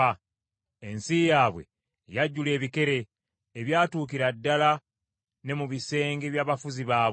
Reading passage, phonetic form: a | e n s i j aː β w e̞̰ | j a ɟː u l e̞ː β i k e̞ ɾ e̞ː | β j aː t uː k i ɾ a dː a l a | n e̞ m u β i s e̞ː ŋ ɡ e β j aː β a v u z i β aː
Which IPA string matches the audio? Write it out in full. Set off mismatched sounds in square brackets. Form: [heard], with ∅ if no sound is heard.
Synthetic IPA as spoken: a | e n s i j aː β w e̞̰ | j a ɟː u l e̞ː β i k e̞ ɾ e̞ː | β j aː t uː k i ɾ a dː a l a | n e̞ m u β i s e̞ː ŋ ɡ e β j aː β a [f] u z i β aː